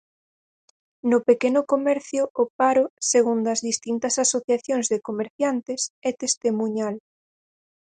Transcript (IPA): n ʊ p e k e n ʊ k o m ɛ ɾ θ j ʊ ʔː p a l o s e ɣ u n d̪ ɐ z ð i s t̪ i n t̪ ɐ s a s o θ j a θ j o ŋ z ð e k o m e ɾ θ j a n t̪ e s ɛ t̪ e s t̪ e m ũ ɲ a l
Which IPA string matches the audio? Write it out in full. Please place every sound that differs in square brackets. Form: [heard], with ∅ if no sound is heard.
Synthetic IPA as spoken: n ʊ p e k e n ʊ k o m ɛ ɾ θ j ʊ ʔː p a [ɾ] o s e ɣ u n d̪ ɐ z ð i s t̪ i n t̪ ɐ s a s o θ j a θ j o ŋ z ð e k o m e ɾ θ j a n t̪ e s ɛ t̪ e s t̪ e m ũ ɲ a l